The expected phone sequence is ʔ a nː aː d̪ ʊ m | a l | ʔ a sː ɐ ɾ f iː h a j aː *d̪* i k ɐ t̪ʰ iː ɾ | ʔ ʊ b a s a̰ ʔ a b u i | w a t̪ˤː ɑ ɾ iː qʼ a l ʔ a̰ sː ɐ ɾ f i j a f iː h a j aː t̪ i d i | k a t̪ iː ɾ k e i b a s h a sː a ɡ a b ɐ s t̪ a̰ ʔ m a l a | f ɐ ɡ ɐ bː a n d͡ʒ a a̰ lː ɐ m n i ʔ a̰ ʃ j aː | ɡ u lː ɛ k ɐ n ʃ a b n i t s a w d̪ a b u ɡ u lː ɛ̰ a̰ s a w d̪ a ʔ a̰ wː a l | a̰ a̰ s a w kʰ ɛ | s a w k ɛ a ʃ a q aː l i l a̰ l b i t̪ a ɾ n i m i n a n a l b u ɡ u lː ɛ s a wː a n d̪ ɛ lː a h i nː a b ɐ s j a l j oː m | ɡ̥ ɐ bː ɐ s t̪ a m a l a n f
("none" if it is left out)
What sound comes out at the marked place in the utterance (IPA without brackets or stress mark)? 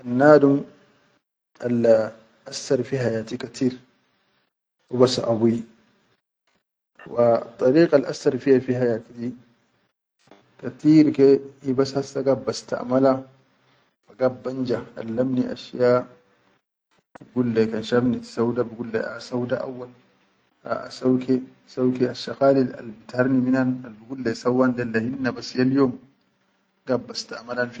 t̪